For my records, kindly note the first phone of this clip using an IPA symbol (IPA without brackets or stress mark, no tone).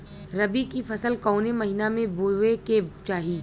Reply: ɾ